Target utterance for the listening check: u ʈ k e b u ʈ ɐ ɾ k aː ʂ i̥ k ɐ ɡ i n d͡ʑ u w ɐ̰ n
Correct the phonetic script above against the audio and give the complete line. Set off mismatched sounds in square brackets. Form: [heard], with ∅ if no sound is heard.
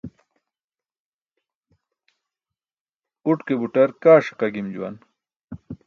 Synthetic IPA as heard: u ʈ k e b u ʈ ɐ ɾ k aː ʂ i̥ [q] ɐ ɡ i [m] d͡ʑ u w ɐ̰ n

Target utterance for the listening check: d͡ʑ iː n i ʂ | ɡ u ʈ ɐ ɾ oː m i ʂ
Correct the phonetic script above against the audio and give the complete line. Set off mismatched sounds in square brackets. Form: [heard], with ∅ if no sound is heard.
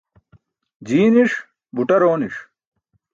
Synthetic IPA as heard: d͡ʑ iː n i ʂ | [b] u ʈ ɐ ɾ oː [n] i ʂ

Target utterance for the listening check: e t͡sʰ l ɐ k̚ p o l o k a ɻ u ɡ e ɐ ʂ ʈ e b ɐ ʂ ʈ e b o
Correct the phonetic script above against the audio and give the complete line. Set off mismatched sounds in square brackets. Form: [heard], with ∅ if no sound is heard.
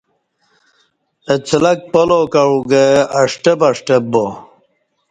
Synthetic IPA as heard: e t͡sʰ l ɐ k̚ p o l o k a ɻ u ɡ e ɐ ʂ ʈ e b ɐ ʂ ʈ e b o

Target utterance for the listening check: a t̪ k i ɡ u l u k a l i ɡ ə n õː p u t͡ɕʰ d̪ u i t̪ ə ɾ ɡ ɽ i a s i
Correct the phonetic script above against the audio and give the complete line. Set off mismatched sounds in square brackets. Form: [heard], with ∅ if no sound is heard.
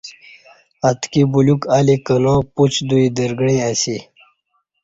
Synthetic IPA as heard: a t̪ k i [b] u l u k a l i [k] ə n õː p u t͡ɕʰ d̪ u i [d̪] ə ɾ ɡ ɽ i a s i

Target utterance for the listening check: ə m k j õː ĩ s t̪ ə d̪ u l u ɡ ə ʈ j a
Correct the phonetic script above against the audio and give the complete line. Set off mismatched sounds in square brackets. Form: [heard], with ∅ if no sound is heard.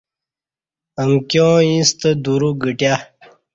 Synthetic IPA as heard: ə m k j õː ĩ s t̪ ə d̪ u [ɾ] u ɡ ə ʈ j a

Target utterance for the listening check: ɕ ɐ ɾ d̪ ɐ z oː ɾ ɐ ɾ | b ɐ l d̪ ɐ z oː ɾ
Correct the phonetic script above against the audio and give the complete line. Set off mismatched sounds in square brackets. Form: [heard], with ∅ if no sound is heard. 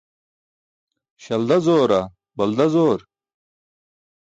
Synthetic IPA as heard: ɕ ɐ [l] d̪ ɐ z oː ɾ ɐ [∅] | b ɐ l d̪ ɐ z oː ɾ

